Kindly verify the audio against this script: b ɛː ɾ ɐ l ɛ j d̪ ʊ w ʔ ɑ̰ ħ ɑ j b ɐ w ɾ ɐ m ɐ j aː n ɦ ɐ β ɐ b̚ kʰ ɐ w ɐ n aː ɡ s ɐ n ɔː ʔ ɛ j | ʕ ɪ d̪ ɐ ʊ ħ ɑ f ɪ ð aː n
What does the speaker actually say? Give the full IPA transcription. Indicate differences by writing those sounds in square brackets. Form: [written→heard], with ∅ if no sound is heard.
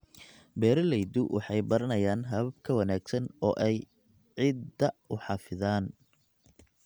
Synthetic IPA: b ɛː ɾ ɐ l ɛ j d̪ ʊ w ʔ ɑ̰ ħ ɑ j b ɐ [w→∅] ɾ ɐ [m→n] ɐ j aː n ɦ ɐ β ɐ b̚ kʰ ɐ w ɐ n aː ɡ s ɐ n ɔː ʔ ɛ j | ʕ ɪ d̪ ɐ ʊ ħ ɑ f ɪ ð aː n